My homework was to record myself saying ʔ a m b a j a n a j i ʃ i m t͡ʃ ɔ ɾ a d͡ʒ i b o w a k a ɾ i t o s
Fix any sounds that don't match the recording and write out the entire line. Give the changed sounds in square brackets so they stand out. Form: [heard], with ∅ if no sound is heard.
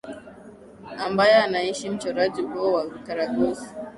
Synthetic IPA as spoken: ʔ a m b a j a n a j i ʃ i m t͡ʃ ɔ ɾ a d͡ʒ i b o w a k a ɾ [a] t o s